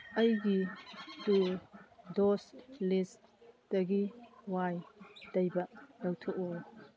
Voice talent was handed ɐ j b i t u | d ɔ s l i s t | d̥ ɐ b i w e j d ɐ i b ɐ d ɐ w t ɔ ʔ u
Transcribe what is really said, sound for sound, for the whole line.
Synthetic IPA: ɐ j ɡ i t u | d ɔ s l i s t | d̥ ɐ ɡ i w a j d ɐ j b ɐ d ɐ w tʰ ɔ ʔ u